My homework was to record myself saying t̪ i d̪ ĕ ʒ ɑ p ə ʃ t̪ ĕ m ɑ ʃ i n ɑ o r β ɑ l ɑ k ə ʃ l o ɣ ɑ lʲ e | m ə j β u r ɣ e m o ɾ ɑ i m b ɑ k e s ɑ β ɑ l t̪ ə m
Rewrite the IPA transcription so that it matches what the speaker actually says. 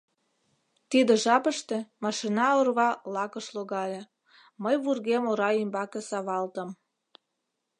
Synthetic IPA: t̪ i d̪ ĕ ʒ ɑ p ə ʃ t̪ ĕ m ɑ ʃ i n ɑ o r β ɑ l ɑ k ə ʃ l o ɣ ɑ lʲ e | m ə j β u r ɣ e m o ɾ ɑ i m b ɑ k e s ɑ β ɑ l t̪ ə m

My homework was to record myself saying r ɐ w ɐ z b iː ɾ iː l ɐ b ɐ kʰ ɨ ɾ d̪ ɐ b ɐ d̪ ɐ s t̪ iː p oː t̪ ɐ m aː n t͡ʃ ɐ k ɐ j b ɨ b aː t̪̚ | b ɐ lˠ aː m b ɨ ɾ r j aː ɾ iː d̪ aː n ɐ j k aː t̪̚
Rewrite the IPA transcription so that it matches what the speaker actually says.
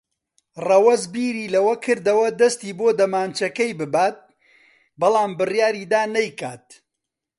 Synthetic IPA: r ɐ w ɐ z b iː ɾ iː l ɐ w ɐ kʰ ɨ ɾ d̪ ɐ w ɐ d̪ ɐ s t̪ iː b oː d̪ ɐ m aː n t͡ʃ ɐ k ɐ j b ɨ b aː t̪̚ | b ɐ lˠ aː m b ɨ r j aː ɾ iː d̪ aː n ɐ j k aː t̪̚

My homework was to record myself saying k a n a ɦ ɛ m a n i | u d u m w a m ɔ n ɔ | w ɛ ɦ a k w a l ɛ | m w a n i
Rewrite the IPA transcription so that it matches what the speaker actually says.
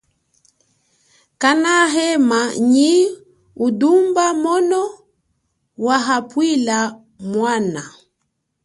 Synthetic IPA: k a n a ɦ ɛ m a ɲ i | u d u m b a m ɔ n ɔ | w a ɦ a p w i l a | m w a n a

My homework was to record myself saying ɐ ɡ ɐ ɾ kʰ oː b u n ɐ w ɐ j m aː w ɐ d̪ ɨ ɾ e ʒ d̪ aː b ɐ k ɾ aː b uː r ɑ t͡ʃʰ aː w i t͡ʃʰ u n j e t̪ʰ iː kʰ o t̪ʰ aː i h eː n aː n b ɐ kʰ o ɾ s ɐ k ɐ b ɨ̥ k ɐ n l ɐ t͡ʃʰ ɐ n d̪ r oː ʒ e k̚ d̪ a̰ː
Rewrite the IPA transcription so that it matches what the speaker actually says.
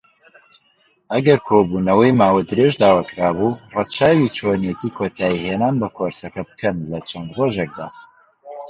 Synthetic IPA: ɐ ɡ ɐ ɾ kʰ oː b u n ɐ w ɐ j m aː w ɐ d̪ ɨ ɾ e ʒ d̪ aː w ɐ k ɾ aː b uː r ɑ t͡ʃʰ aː w i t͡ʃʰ o n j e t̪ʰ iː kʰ o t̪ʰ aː i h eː n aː n b ɐ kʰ o ɾ s ɐ k ɐ b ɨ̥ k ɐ n l ɐ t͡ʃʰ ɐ n d̪ r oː ʒ e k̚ d̪ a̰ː

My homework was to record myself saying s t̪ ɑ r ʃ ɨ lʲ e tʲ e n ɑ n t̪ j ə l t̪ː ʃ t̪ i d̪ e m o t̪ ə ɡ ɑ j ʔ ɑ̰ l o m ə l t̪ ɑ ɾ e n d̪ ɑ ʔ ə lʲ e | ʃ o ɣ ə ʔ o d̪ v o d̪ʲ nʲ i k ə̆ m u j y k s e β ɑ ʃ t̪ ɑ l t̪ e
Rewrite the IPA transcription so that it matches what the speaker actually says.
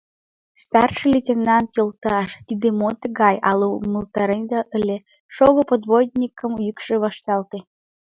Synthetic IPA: s t̪ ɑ r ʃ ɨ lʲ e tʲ e n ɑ n t̪ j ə l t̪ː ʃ t̪ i d̪ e m o t̪ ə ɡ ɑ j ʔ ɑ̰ l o m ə l t̪ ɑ ɾ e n d̪ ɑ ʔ ə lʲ e | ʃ o ɣ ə p o d̪ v o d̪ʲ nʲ i k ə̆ m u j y k ʃ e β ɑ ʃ t̪ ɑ l t̪ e

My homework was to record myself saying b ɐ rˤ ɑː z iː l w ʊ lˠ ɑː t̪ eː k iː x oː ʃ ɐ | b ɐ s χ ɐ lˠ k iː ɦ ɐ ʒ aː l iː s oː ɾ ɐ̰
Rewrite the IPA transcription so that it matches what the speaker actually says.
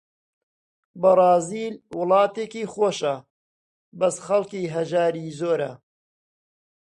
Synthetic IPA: b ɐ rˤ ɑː z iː l w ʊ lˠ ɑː t̪ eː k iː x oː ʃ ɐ | b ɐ s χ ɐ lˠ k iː ɦ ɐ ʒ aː ɾ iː z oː ɾ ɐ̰

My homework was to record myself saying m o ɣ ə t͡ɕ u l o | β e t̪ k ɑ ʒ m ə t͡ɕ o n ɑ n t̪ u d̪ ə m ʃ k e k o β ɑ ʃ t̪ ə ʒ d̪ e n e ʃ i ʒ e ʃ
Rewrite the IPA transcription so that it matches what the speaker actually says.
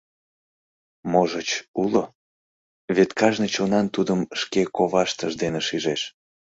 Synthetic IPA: m o ʒ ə t͡ɕ u l o | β e t̪ k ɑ ʒ n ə t͡ɕ o n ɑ n t̪ u d̪ ə m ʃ k e k o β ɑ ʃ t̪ ə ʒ d̪ e n e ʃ i ʒ e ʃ

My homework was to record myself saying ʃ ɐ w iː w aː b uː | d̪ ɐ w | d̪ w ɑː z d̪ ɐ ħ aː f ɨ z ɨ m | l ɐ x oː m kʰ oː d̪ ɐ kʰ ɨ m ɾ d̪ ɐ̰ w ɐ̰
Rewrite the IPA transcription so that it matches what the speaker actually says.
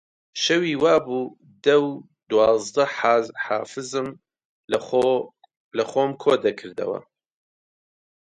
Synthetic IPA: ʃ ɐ w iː w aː b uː | d̪ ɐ w | d̪ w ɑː z d̪ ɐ ħ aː f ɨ z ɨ m | l ɐ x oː m kʰ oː d̪ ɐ kʰ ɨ ɾ d̪ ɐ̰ w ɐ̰

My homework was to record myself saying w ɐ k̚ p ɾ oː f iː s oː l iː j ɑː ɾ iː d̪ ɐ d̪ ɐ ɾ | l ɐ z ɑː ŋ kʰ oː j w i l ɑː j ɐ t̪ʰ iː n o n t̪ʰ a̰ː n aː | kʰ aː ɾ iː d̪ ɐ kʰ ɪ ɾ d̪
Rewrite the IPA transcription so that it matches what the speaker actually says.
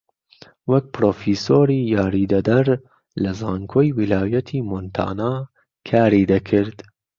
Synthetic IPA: w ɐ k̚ p ɾ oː f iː s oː ɾ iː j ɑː ɾ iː d̪ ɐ d̪ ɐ ɾ | l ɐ z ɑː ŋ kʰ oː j w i l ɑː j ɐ t̪ʰ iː m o n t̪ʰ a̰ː n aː | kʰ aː ɾ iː d̪ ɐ kʰ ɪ ɾ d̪

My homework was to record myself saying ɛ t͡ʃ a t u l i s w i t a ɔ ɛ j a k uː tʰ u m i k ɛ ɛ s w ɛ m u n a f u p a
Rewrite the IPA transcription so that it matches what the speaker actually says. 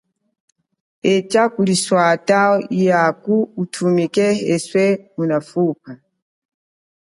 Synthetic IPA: ɛ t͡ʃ a k u l i s w a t a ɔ i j a k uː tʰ u m i k ɛ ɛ s w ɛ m u n a f u p a

